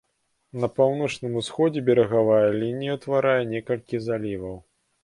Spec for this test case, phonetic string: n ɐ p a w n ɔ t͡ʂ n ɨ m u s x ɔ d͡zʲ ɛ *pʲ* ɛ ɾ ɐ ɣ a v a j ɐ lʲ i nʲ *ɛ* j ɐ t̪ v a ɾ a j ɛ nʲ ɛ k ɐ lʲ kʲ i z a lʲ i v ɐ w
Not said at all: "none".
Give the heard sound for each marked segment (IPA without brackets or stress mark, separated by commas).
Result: bʲ, i